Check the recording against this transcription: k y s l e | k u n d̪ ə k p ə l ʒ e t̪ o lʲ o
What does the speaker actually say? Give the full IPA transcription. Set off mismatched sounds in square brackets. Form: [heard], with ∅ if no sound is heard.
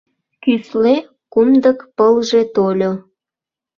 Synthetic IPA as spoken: k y s l e | k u [m] d̪ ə k p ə l ʒ e t̪ o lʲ o